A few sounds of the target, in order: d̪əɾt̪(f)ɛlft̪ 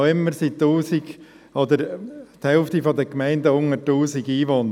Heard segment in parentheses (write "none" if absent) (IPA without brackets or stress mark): h